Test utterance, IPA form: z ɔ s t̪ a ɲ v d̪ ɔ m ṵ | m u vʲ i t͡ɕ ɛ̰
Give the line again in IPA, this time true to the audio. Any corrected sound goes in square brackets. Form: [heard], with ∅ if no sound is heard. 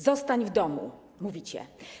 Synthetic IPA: z ɔ s t̪ a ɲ v d̪ ɔ m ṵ | m u vʲ i t͡ɕ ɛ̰